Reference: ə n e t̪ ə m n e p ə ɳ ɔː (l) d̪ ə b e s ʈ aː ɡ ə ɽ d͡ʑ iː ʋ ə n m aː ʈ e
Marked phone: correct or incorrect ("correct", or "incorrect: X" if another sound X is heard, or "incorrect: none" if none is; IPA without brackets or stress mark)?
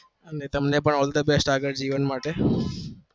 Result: correct